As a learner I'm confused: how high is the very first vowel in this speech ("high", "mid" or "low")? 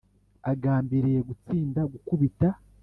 low